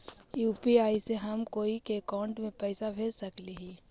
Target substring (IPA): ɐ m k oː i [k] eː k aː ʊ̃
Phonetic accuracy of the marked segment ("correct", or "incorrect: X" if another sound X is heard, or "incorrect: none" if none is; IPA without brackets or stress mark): correct